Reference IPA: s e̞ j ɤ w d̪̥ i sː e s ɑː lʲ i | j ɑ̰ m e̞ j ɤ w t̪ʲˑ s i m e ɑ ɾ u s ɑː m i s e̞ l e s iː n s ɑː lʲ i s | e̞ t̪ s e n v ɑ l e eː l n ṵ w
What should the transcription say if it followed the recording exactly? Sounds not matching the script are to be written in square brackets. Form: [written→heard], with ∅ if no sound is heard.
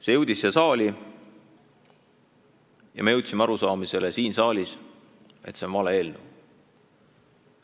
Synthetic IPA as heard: s e̞ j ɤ w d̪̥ i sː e s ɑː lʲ i | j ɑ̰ m e̞ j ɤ w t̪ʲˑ s i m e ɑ ɾ u s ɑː m i s e̞ l e s iː n s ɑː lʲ i s | e̞ t̪ s e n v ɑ l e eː l n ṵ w